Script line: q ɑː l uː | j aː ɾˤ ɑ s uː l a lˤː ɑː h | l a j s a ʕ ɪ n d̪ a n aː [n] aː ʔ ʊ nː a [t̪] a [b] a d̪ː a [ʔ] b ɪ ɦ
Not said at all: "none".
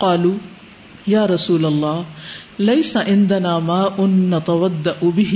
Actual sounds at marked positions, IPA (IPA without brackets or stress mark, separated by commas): m, t̪, w, ʔ